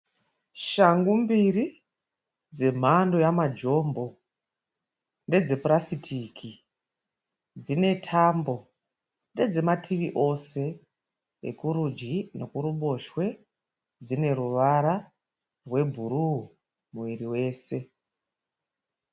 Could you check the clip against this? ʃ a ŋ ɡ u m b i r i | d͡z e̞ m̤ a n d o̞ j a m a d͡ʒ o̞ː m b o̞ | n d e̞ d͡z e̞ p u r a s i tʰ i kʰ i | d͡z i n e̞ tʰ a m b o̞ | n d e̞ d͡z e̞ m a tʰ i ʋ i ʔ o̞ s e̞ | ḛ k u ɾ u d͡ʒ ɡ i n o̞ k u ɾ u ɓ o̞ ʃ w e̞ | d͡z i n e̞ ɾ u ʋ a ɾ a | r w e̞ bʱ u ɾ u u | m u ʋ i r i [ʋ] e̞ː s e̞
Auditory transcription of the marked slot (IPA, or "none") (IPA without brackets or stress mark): w